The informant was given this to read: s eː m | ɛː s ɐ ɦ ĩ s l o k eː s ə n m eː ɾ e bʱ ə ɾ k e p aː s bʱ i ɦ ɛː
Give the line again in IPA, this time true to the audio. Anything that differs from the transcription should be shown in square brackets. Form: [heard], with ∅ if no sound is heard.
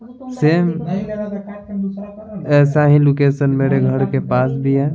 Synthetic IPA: s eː m | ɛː s [a] ɦ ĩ [∅] l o k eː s ə n m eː ɾ e [ɡʱ] ə ɾ k e p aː s bʱ i ɦ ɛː